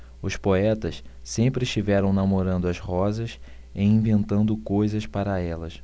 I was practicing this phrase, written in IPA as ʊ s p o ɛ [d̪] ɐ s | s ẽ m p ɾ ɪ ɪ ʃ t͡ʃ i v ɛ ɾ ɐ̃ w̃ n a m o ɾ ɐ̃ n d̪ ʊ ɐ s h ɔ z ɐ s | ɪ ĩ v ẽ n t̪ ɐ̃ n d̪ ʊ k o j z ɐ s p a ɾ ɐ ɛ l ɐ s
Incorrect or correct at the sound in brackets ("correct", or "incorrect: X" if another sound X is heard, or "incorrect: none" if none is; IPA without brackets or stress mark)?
incorrect: t̪